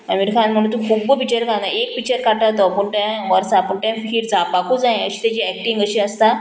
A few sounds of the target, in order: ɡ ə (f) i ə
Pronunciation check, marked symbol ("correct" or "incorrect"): incorrect